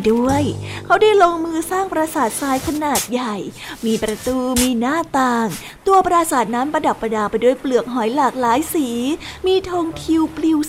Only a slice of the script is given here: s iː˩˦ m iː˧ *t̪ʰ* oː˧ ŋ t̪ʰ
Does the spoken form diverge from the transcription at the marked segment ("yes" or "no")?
no